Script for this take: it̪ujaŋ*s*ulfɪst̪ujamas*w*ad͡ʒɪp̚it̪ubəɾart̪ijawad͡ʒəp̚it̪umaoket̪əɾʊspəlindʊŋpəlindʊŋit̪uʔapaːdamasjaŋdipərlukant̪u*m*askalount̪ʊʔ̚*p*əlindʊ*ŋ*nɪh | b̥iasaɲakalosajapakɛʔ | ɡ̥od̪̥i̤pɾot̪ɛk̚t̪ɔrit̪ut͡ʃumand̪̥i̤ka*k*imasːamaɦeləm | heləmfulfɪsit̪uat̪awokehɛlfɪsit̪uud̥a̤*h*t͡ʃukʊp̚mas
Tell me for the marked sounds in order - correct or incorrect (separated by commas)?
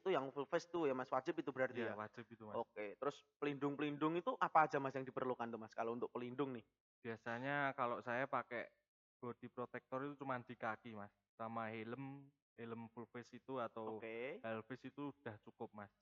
incorrect, correct, correct, correct, correct, correct, correct